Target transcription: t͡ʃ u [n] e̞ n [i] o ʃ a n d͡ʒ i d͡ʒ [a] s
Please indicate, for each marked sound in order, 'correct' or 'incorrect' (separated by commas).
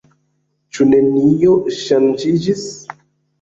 correct, correct, incorrect